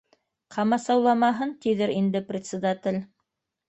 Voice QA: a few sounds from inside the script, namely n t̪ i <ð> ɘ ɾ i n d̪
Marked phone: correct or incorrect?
correct